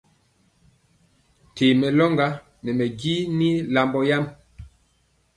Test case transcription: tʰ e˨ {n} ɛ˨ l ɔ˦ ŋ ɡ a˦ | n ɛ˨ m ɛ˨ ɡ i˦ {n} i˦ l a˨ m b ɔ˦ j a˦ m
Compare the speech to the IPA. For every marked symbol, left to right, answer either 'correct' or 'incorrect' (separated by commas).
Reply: incorrect, correct